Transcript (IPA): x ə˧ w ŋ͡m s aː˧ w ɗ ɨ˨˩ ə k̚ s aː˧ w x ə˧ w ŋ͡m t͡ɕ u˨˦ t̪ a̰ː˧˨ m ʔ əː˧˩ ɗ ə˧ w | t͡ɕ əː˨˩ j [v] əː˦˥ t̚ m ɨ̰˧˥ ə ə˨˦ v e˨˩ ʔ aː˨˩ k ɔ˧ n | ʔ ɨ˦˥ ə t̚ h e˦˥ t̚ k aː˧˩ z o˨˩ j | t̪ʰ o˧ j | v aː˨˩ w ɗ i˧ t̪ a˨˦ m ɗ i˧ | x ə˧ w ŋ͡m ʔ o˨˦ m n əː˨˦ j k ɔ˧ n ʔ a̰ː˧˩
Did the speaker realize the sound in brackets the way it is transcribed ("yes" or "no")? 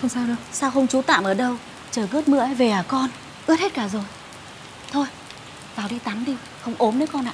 no